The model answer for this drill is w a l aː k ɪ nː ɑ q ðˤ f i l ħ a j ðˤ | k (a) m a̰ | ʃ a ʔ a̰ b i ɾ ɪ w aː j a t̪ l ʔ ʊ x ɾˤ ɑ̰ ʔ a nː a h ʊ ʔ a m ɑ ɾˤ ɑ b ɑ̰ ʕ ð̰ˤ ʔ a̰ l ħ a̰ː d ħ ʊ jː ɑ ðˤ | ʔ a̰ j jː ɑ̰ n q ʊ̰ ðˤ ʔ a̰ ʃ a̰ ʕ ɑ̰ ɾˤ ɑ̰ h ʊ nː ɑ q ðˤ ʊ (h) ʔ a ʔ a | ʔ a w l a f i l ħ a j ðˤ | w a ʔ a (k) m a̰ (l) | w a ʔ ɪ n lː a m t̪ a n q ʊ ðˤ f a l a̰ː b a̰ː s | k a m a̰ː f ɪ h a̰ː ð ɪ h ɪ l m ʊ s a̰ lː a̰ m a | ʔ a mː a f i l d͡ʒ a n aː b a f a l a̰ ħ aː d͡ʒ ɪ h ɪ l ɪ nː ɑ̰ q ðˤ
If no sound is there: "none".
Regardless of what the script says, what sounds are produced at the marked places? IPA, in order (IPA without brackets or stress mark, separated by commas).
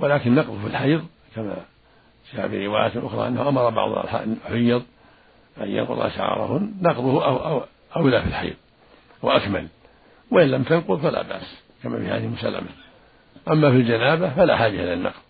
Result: a, h, k, l